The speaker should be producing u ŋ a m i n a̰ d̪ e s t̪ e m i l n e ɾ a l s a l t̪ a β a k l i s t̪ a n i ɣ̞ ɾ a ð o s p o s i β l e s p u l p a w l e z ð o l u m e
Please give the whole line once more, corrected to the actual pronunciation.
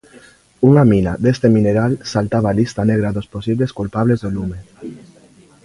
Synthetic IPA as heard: u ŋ a m i n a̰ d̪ e s t̪ e m i n e ɾ a l s a l t̪ a β a l i s t̪ a n e ɣ̞ ɾ a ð o s p o s i β l e s k u l p a β l e z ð o l u m e